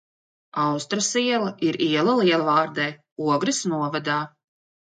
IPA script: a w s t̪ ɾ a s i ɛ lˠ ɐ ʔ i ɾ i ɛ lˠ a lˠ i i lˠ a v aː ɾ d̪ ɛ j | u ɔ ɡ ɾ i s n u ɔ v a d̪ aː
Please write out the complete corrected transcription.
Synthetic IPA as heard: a w s t̪ ɾ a s i ɛ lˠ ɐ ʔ i ɾ i ɛ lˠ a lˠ i ɛ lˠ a v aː ɾ d̪ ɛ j | u ɔ ɡ ɾ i s n u ɔ v a d̪ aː